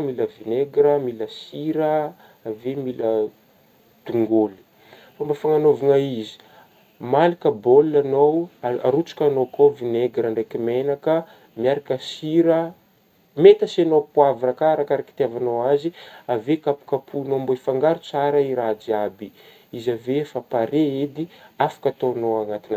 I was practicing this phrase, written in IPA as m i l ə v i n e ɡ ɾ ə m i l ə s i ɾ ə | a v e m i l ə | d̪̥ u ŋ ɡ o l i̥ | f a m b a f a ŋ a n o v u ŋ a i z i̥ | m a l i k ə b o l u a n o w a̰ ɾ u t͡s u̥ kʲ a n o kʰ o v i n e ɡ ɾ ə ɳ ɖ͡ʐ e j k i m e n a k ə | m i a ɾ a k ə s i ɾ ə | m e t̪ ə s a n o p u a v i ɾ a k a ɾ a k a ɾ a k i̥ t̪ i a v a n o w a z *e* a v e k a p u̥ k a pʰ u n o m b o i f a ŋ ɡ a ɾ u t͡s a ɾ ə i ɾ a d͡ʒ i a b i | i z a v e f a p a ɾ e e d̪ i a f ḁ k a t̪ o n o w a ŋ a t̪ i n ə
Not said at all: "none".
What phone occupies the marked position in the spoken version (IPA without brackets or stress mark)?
i